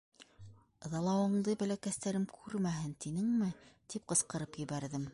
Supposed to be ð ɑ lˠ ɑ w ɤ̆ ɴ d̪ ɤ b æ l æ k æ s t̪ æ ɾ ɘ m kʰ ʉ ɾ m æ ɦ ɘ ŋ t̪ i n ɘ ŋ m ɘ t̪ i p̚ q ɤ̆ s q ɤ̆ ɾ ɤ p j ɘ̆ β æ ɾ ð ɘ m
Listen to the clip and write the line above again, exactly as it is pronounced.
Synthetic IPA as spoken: ð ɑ lˠ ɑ w ɤ̆ ɴ d̪ ɤ b æ l æ k æ s t̪ æ ɾ ɘ m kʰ ʉ ɾ m æ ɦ ɘ n t̪ i n ɘ ŋ m ɘ t̪ i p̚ q ɤ̆ s q ɤ̆ ɾ ɤ p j ɘ̆ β æ ɾ ð ɘ m